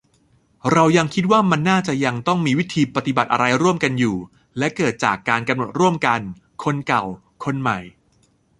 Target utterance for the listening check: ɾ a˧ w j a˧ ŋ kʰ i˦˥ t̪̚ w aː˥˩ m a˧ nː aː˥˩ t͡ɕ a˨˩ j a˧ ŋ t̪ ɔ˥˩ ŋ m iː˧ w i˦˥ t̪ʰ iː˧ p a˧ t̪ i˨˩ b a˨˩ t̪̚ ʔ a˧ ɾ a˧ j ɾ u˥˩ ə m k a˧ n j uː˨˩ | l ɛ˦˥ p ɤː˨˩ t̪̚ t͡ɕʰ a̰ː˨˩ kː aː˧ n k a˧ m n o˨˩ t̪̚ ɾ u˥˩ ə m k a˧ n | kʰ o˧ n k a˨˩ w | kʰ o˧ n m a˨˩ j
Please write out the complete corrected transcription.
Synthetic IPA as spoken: ɾ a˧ w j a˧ ŋ kʰ i˦˥ t̪̚ w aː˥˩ m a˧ nː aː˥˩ t͡ɕ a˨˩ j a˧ ŋ t̪ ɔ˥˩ ŋ m iː˧ w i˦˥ t̪ʰ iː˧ p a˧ t̪ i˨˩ b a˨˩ t̪̚ ʔ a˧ ɾ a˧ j ɾ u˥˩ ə m k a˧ n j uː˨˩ | l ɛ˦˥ k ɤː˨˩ t̪̚ t͡ɕ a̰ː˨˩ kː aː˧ n k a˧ m n o˨˩ t̪̚ ɾ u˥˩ ə m k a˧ n | kʰ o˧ n k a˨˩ w | kʰ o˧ n m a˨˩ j